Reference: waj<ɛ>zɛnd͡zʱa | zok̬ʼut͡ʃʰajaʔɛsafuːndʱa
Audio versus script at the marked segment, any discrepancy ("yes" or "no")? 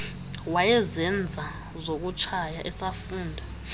no